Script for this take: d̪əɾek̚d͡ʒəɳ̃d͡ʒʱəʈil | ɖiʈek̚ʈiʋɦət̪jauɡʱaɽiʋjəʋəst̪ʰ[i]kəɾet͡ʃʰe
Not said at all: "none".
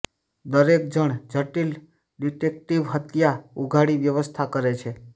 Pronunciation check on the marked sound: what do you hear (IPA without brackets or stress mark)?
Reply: a